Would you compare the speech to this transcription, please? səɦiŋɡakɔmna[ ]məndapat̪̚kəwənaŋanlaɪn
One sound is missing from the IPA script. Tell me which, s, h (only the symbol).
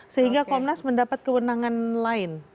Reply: s